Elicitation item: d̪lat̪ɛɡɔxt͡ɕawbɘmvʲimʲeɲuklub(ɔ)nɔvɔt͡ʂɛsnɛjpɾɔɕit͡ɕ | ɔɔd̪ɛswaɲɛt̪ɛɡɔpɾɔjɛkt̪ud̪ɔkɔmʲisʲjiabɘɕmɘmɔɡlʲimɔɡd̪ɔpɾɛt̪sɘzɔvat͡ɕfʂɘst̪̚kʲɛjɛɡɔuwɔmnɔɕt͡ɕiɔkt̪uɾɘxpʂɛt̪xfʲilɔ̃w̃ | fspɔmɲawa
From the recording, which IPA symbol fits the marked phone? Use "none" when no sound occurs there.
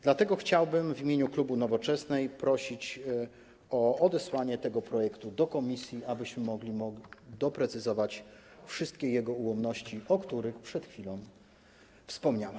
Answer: u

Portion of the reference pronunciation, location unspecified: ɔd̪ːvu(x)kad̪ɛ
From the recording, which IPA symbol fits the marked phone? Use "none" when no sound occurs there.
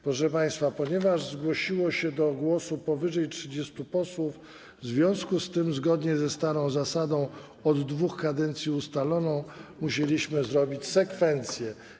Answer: x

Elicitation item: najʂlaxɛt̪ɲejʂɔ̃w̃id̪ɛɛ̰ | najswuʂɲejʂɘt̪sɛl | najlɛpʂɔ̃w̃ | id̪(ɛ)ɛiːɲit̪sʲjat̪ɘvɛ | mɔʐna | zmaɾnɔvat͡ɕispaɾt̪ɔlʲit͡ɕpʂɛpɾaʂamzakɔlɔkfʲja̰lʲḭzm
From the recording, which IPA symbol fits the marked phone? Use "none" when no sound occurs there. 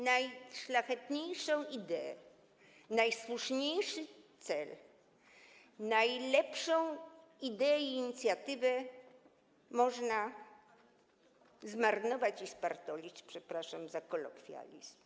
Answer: ɛ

